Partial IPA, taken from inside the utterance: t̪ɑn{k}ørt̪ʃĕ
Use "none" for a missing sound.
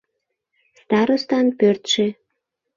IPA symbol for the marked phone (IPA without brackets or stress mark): p